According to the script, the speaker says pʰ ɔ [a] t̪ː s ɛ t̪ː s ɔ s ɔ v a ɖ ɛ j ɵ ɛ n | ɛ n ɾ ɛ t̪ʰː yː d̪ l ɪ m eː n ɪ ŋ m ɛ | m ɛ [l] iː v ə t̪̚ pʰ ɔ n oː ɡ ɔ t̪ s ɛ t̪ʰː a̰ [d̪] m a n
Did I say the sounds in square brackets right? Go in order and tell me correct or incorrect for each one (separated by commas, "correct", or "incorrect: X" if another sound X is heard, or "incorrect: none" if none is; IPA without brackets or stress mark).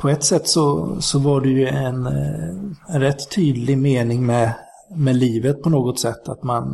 incorrect: ɛ, correct, incorrect: t̪